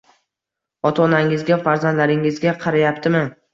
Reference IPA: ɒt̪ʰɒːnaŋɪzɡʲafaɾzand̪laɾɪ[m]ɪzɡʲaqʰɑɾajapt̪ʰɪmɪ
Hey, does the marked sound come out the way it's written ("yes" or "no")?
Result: no